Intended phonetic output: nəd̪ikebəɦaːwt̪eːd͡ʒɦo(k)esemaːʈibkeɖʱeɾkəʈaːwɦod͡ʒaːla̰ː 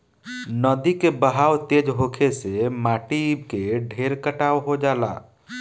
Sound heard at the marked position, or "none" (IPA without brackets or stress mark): kʰ